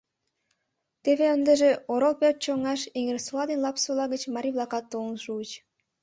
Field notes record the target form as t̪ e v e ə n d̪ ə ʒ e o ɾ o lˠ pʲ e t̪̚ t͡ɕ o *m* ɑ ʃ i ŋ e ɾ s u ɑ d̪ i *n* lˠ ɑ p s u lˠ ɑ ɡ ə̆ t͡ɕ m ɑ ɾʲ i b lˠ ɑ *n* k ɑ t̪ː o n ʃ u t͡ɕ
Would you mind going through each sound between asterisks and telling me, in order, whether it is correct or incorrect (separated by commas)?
incorrect, correct, incorrect